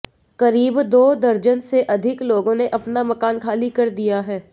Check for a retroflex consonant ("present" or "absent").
absent